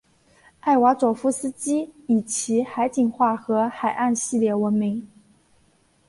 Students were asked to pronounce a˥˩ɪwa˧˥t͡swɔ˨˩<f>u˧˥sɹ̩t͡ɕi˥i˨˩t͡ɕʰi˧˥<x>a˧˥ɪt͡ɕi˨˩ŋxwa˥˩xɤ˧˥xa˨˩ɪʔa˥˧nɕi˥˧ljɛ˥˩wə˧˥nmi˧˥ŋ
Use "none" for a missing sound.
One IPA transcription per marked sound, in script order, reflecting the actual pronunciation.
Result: f, x

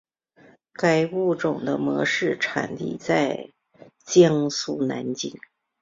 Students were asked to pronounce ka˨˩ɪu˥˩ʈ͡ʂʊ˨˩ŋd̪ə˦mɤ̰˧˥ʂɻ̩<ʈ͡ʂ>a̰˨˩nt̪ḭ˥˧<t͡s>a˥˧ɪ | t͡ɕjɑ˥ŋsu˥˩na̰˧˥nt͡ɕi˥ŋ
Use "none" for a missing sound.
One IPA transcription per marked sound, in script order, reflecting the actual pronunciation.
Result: ʈ͡ʂʰ, t͡s

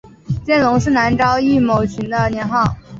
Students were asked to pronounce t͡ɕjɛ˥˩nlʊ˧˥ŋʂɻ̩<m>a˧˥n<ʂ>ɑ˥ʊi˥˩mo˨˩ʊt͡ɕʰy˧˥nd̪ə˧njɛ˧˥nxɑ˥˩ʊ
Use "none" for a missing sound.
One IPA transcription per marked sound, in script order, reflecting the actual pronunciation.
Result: n, ʈ͡ʂ

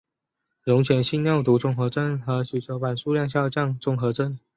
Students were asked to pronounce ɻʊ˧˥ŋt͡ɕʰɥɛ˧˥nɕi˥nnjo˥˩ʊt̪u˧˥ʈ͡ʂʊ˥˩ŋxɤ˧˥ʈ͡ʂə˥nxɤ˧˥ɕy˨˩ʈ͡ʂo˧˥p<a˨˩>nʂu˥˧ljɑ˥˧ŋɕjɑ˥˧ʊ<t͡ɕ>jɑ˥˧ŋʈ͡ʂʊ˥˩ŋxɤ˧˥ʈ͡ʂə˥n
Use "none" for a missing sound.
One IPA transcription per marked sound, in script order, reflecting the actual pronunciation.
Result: a˨˩, t͡ɕ

